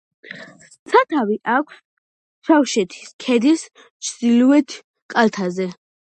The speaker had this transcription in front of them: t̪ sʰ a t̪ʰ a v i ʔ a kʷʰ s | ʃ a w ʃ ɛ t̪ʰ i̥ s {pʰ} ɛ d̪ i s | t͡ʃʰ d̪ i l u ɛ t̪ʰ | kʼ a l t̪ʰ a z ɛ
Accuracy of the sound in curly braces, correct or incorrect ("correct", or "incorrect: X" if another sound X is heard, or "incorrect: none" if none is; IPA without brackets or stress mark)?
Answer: incorrect: kʰ